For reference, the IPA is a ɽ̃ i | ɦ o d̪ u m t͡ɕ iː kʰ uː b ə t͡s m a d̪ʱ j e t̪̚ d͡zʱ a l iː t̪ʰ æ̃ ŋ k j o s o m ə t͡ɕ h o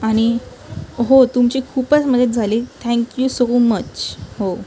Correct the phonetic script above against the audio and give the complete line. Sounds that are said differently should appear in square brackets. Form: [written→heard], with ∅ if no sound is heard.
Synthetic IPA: a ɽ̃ i | ɦ o [d̪→t̪] u m t͡ɕ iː kʰ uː [b→p] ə t͡s m [a→ə] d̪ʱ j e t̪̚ d͡zʱ a l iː t̪ʰ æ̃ ŋ k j [o→u] s o m ə t͡ɕ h o